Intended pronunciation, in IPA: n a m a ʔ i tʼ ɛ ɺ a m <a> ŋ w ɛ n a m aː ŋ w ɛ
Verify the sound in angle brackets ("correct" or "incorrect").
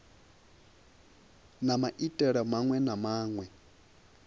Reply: correct